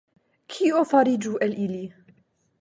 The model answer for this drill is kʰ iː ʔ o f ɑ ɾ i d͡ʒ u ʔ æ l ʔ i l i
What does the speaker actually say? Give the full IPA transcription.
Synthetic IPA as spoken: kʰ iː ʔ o f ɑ ɾ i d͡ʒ u ʔ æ l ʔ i l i